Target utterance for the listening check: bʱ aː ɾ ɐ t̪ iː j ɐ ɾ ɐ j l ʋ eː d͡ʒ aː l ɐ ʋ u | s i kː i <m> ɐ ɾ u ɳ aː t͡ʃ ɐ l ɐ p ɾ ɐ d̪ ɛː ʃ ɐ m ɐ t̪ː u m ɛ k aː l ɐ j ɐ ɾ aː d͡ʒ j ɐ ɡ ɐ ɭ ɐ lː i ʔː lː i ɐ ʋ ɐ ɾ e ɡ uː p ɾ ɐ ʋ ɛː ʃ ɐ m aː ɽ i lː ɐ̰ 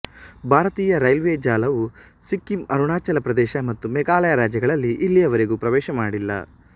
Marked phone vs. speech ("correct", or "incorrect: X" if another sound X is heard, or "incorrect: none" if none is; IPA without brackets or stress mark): correct